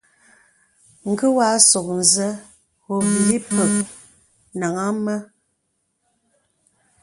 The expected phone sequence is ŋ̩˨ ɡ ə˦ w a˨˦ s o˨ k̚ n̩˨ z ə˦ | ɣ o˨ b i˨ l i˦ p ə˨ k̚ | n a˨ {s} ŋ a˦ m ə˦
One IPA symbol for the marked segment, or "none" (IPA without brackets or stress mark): none